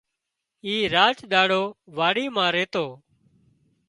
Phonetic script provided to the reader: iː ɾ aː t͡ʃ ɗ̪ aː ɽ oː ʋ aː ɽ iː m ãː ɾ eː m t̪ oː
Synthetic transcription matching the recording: iː ɾ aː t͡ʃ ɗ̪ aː ɽ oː ʋ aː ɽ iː m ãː ɾ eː t̪ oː

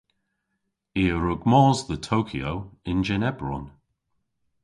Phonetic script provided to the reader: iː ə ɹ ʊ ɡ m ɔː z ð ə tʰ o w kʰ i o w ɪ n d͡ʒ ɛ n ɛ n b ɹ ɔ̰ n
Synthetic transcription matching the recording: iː ə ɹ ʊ ɡ m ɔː z ð ə tʰ o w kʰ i o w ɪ n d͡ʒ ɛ n ɛ b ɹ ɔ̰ n

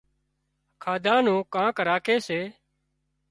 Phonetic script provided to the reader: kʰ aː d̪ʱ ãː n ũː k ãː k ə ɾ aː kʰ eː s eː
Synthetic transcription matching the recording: kʰ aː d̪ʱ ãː n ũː k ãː k ə ɾ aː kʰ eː s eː

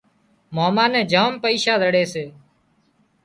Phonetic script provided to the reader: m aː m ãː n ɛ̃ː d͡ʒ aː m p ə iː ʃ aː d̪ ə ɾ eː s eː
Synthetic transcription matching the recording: m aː m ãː n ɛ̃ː d͡ʒ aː m p ə iː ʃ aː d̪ ə ɽ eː s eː

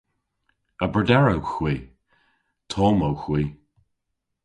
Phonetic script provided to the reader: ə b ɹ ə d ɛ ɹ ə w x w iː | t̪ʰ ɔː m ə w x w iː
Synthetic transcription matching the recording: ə b ɹ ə d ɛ ɹ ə w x w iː | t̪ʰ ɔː m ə w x w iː

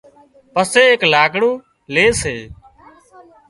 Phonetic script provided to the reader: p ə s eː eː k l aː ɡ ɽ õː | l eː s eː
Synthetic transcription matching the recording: p ə s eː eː k l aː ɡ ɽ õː | l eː s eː

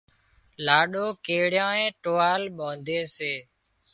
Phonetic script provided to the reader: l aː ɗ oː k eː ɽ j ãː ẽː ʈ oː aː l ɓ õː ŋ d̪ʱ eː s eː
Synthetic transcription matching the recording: l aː ɗ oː k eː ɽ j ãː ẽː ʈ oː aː l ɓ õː n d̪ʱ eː s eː

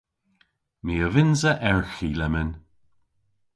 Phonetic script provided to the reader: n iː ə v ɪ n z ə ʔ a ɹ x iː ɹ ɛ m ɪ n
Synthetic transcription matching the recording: m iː ə v ɪ n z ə ʔ ɛ ɹ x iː l ɛ m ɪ n

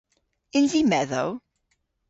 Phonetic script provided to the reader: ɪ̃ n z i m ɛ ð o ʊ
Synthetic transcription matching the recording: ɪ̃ n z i m ɛ ð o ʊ

